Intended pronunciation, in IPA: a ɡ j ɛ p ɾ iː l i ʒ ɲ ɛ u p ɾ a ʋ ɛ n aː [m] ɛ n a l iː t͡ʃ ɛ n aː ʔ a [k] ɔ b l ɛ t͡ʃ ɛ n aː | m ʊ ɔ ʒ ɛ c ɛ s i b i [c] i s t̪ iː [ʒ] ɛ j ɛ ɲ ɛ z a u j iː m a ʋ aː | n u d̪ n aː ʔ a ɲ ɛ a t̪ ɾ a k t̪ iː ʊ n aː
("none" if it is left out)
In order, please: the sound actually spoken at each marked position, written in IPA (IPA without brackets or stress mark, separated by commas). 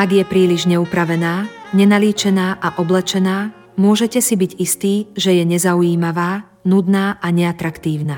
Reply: ɲ, ʔ, ɟ, ʒ